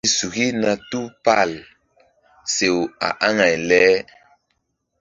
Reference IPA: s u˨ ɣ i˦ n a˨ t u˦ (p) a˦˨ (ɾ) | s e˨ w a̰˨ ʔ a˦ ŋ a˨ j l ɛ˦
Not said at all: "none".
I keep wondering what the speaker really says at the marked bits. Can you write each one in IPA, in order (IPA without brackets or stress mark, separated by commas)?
p, l